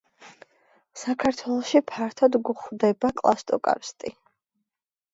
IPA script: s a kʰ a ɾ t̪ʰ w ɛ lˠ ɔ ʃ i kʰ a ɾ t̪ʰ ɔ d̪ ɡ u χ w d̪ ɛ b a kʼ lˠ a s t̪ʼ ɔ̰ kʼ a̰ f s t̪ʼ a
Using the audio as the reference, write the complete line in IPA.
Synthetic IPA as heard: s a kʰ a ɾ t̪ʰ w ɛ lˠ ɔ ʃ i pʰ a ɾ t̪ʰ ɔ d̪ ɡ u χ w d̪ ɛ b a kʼ lˠ a s t̪ʼ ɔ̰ kʼ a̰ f s t̪ʼ i